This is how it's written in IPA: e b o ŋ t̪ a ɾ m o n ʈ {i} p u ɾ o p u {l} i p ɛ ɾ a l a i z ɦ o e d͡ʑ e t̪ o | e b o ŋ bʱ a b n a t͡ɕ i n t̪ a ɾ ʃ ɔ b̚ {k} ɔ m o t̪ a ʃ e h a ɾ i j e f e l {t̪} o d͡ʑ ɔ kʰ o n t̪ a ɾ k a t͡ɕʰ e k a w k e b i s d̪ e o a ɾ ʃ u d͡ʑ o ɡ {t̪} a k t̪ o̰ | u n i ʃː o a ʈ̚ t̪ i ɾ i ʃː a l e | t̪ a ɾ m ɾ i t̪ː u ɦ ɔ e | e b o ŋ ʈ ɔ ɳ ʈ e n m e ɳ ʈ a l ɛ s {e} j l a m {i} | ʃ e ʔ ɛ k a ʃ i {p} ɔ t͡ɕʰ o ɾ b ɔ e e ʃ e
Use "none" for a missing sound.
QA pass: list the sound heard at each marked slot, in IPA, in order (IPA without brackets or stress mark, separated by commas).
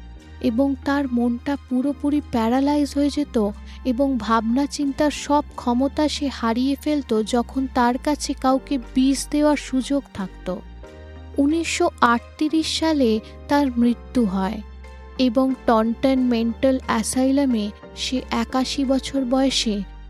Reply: a, ɾ, kʰ, t̪, t̪ʰ, a, e, b